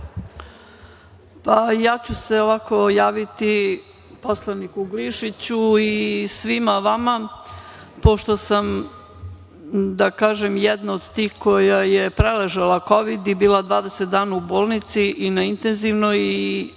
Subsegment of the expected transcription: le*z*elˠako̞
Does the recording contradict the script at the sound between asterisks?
yes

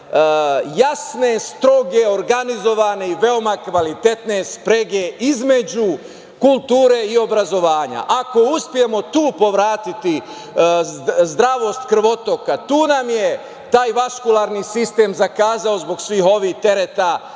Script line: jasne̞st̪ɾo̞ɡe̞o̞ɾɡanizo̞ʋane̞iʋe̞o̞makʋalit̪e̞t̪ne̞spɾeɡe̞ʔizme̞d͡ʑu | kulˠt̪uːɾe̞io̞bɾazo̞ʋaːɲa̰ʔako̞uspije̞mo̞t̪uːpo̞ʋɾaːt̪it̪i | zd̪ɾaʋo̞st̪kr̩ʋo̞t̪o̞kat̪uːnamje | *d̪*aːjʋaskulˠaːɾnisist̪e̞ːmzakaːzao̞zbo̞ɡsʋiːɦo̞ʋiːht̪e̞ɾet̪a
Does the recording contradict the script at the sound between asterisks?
yes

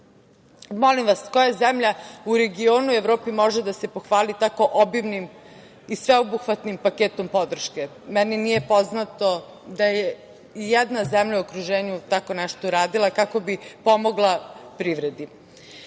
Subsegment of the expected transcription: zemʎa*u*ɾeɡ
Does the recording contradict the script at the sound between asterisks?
no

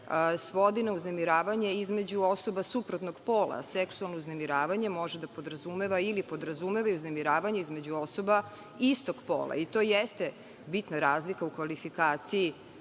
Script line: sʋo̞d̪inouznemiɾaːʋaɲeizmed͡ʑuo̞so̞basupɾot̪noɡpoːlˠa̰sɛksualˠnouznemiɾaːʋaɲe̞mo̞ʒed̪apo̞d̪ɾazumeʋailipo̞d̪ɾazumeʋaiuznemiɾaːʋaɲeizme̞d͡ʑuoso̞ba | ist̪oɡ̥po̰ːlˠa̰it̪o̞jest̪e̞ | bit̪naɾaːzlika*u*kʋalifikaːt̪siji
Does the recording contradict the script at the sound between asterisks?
no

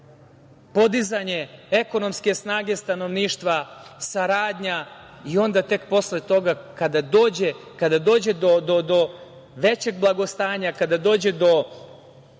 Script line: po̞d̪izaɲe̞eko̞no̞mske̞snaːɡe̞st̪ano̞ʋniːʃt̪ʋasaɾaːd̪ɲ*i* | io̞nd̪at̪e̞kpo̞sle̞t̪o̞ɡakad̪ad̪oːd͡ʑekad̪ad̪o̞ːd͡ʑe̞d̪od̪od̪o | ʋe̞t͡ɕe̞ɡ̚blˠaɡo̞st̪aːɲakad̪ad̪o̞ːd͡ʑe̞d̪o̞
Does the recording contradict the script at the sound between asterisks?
yes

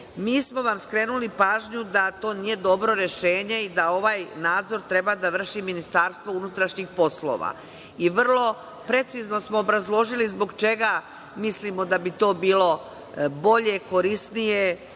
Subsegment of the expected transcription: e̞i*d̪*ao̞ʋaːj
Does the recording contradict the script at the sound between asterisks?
no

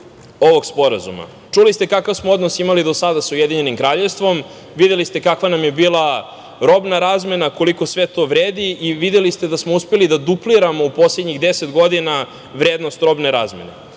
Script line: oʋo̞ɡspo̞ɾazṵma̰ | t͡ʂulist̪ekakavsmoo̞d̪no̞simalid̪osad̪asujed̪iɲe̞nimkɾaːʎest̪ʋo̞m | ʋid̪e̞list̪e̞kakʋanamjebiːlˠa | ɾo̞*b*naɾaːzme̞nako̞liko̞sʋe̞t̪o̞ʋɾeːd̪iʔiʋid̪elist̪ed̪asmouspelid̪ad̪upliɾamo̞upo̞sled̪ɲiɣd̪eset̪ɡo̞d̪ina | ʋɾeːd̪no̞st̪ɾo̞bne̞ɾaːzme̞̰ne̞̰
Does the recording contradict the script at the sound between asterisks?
no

